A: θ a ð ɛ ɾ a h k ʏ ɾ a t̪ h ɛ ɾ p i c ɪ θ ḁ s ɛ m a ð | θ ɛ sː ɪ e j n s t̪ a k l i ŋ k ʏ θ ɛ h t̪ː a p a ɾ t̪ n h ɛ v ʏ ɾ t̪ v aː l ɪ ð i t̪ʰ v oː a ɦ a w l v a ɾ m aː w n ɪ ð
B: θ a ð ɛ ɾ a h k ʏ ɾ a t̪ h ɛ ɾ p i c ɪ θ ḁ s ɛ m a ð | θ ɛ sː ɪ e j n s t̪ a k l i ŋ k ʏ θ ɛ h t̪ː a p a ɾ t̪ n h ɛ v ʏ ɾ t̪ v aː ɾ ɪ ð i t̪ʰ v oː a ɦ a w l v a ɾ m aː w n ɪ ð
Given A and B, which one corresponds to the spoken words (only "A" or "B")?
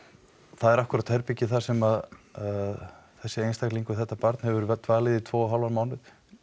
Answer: A